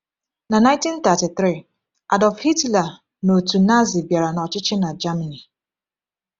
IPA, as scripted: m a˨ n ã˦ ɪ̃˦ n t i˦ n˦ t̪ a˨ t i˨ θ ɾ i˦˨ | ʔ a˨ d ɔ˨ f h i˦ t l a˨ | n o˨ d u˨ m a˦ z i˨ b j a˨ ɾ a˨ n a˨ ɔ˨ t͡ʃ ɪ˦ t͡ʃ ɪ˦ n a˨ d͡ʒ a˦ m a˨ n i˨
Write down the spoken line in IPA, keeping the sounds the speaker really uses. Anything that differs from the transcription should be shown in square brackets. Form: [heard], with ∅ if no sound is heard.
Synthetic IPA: [n] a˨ n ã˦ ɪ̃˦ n t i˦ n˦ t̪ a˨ t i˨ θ ɾ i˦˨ | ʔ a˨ d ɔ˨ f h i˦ t l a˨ | n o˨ [t] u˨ [n] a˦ z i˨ b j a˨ ɾ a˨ n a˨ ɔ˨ t͡ʃ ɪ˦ t͡ʃ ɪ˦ n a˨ d͡ʒ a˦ m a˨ n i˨

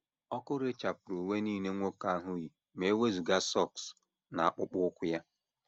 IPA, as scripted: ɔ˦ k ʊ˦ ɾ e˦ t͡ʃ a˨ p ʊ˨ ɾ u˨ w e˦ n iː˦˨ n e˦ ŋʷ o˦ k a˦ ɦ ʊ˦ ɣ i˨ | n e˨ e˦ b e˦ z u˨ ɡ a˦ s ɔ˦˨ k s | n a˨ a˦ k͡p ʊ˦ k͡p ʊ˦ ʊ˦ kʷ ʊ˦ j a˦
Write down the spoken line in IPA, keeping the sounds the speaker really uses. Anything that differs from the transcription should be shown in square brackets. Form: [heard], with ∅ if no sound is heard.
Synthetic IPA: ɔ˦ k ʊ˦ ɾ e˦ t͡ʃ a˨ p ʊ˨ ɾ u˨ w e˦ n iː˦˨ n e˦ ŋʷ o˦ k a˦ ɦ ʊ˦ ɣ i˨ | [m] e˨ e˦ [w] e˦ z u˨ ɡ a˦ s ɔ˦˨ k s | n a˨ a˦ k͡p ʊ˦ k͡p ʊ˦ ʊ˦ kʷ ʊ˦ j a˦

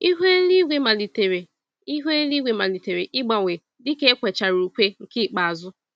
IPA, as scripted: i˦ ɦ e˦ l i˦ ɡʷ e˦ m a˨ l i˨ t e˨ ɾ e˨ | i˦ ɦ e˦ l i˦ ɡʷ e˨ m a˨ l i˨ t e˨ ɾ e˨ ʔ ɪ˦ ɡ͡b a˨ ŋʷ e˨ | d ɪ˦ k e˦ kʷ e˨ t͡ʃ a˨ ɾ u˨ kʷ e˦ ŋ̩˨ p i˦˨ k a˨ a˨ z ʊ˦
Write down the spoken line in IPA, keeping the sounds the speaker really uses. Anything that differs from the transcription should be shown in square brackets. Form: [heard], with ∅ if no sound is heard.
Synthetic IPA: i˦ ɦ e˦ l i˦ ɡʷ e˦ m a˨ l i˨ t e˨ ɾ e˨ | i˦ ɦ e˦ l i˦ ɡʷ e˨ m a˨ l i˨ t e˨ ɾ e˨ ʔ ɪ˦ ɡ͡b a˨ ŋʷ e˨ | d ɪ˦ k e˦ kʷ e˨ t͡ʃ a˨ ɾ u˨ kʷ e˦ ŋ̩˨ [k] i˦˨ [k͡p] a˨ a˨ z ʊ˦

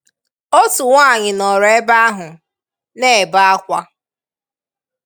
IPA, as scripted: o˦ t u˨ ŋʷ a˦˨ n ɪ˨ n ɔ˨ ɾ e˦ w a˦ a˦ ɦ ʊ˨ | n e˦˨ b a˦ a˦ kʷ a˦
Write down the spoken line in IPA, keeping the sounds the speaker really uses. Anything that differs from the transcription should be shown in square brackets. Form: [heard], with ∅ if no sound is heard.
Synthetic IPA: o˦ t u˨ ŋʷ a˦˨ [ɲ] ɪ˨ n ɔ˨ ɾ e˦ [b] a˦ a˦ ɦ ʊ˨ | n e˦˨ b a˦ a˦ kʷ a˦

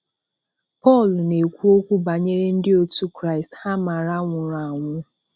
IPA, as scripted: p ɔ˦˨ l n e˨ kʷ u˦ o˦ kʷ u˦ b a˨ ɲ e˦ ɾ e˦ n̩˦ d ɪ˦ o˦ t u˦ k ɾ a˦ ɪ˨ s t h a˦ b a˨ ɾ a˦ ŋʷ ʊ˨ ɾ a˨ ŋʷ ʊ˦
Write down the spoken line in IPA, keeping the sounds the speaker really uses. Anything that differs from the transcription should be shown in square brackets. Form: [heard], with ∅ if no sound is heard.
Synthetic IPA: p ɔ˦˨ l n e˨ kʷ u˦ o˦ kʷ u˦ b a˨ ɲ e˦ ɾ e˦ n̩˦ d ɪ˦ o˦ t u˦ k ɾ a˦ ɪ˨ s t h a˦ [m] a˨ ɾ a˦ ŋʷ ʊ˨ ɾ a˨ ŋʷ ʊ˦

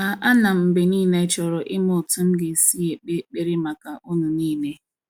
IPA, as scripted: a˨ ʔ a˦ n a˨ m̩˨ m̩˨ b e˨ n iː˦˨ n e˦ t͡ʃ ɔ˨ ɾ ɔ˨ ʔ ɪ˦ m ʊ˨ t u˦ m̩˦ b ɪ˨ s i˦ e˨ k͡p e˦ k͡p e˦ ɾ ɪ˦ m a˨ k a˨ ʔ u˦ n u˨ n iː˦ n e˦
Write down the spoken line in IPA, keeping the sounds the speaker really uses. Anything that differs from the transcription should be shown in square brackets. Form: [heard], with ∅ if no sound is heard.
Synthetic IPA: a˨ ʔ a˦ n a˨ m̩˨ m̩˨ b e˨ n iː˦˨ n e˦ t͡ʃ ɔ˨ ɾ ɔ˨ ʔ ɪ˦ m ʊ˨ t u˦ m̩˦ [ɡ] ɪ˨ s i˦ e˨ k͡p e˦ k͡p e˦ ɾ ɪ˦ m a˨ k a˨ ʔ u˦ n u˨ n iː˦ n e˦

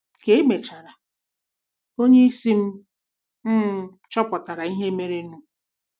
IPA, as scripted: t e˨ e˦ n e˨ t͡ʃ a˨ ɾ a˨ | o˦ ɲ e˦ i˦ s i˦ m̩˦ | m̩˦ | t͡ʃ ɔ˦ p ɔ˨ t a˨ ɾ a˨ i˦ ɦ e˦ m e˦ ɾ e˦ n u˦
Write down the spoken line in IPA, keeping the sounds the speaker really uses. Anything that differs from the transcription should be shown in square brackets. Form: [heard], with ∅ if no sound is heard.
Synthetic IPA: [k] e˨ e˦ [m] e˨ t͡ʃ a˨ ɾ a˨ | o˦ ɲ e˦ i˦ s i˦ m̩˦ | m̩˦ | t͡ʃ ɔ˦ p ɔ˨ t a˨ ɾ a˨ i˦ ɦ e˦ m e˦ ɾ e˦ n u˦

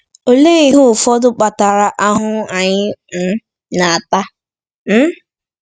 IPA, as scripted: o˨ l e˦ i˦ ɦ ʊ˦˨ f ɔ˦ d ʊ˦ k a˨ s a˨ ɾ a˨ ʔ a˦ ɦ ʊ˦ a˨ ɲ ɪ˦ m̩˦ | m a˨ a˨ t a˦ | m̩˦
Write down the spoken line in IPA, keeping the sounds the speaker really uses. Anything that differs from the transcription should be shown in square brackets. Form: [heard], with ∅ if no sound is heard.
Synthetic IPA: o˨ l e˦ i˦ ɦ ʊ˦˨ f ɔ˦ d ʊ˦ [k͡p] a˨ [t] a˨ ɾ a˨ ʔ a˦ ɦ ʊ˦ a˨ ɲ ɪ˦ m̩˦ | [n] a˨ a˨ t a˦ | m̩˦

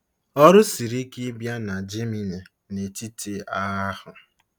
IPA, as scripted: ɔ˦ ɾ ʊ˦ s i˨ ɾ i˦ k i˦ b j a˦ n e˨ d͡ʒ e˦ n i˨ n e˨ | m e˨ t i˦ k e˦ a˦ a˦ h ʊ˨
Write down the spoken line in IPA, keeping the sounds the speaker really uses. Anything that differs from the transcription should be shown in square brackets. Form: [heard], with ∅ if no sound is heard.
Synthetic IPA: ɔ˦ ɾ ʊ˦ s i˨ ɾ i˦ k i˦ b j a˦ n [a˨] d͡ʒ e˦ [m] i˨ n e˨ | [n] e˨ t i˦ [t] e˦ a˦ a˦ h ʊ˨

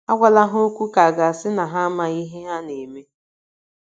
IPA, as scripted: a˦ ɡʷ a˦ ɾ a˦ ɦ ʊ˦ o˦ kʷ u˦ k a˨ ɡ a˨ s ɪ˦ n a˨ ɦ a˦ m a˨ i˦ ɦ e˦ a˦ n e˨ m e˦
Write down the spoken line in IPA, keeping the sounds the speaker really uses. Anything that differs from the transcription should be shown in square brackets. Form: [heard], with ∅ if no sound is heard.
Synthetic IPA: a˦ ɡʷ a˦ [l] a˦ ɦ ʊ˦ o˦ kʷ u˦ k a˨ ɡ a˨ s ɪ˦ n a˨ ɦ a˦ m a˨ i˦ ɦ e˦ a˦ n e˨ m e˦

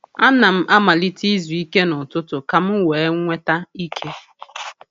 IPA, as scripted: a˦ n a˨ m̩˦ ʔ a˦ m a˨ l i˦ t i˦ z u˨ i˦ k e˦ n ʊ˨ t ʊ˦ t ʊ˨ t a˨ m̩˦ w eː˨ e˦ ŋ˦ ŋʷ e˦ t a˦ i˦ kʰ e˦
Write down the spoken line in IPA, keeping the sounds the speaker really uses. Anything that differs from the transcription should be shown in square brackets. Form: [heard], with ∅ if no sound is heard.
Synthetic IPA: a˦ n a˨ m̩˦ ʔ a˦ m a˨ l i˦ t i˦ z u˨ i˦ k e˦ n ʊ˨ t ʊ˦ t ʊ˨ [k] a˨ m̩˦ w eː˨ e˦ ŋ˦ ŋʷ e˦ t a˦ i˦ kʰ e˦

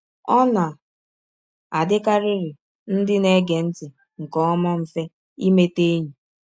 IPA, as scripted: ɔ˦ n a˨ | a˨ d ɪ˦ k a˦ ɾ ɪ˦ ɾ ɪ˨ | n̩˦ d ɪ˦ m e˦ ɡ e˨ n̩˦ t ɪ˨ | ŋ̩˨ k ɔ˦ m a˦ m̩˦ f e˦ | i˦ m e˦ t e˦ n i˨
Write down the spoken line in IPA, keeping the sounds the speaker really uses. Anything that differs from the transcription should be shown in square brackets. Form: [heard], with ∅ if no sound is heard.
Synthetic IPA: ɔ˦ n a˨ | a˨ d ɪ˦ k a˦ ɾ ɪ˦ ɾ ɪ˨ | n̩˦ d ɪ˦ [n] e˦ ɡ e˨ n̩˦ t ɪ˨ | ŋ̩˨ k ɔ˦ m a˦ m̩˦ f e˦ | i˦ m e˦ t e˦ [ɲ] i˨

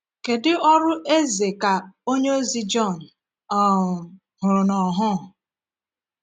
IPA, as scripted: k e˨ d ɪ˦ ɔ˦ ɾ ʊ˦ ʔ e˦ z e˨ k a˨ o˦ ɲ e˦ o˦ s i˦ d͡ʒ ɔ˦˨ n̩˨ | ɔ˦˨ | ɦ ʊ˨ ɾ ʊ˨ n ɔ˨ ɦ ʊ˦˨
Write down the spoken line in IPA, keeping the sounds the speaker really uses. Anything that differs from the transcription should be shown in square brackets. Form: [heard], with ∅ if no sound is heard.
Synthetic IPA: k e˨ d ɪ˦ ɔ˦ ɾ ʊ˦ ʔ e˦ z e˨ k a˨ o˦ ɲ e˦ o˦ [z] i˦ d͡ʒ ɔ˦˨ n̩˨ | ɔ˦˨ | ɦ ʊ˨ ɾ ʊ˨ n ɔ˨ ɦ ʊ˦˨

